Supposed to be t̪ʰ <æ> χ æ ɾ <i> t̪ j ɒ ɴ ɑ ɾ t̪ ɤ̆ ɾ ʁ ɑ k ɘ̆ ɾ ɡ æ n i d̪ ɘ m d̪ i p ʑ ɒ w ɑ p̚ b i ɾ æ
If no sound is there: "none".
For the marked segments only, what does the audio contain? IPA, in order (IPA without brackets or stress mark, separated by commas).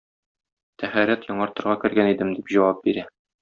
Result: æ, æ